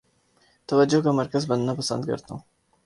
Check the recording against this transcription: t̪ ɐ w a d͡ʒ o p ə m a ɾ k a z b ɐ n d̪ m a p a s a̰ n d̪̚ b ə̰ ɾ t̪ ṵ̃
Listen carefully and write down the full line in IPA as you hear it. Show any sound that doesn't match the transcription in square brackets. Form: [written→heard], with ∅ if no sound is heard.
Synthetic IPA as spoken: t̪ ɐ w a d͡ʒ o [p→k] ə m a ɾ k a z b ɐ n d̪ [m→n] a p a s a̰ n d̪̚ [b→ɡ] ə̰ ɾ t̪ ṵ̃